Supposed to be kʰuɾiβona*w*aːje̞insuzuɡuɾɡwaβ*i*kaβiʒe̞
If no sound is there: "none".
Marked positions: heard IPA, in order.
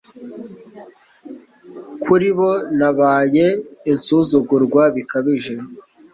β, i

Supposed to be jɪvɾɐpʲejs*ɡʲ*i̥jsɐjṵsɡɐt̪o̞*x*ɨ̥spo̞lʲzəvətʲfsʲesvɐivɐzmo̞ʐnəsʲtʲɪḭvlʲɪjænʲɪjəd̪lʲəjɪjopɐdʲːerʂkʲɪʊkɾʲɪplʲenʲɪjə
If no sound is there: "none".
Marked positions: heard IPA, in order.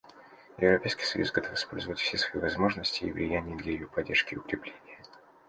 kʲ, f

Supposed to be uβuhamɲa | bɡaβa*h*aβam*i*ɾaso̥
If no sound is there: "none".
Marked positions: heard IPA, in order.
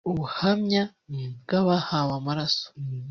h, a

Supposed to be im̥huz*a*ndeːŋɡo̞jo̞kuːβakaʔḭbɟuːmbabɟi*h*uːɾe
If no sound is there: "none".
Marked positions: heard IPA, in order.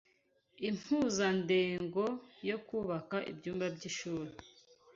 a, ʃ

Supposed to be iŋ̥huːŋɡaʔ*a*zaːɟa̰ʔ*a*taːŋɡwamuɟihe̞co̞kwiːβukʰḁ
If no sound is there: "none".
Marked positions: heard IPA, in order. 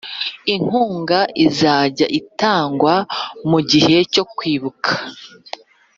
i, i

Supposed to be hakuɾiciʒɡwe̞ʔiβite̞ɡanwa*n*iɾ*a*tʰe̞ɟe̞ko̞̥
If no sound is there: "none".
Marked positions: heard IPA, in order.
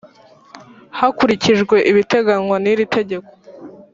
n, i

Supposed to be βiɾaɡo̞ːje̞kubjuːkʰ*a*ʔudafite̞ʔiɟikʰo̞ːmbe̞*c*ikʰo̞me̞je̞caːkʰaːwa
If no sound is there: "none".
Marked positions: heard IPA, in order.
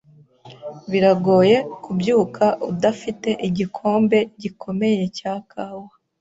a, ɟ

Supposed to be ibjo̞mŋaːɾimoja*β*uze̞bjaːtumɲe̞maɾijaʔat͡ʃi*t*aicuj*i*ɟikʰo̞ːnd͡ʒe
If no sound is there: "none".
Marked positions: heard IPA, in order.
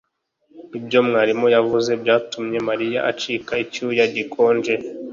v, k, a

